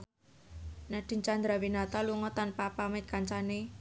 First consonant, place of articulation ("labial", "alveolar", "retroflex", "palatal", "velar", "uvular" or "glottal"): alveolar